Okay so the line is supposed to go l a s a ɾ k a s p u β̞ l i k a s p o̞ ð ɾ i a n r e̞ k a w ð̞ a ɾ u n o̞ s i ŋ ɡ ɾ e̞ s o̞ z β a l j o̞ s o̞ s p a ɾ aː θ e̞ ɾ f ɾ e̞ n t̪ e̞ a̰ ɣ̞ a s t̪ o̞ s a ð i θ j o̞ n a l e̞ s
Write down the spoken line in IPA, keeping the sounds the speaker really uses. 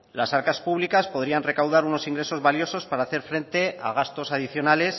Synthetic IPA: l a s a ɾ k a s p u β̞ l i k a s p o̞ ð ɾ i a n r e̞ k a w ð̞ a ɾ u n o̞ s i ŋ ɡ ɾ e̞ s o̞ z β a l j o̞ s o̞ s p a ɾ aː θ e̞ ɾ f ɾ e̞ n t̪ e̞ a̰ ɣ̞ a s t̪ o̞ s a ð i θ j o̞ n a l e̞ s